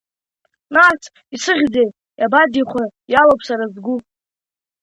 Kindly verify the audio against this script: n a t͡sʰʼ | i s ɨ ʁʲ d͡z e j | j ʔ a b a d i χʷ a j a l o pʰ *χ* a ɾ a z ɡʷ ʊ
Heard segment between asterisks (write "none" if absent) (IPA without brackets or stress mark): s